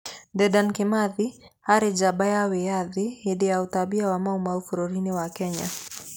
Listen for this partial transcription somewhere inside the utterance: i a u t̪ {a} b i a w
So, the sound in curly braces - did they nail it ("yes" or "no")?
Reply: yes